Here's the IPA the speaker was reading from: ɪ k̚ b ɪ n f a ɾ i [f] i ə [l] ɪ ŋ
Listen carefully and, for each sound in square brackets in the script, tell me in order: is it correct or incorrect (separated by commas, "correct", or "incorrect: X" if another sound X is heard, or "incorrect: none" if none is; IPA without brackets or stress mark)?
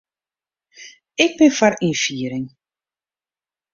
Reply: correct, incorrect: ɾ